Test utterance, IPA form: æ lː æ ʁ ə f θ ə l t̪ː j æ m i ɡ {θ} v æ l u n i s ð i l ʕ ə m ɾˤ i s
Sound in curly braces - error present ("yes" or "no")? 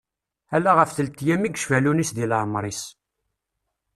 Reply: yes